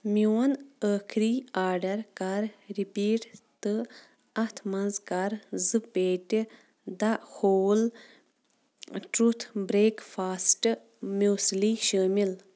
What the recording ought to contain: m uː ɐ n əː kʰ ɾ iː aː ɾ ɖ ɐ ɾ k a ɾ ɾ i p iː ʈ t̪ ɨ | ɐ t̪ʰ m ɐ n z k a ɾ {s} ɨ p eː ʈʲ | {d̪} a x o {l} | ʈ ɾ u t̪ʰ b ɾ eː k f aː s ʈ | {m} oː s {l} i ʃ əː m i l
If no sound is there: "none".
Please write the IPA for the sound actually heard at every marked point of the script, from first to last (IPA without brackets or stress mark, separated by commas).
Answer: z, d̪, l, m, l